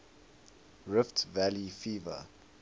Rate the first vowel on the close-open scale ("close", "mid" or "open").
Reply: close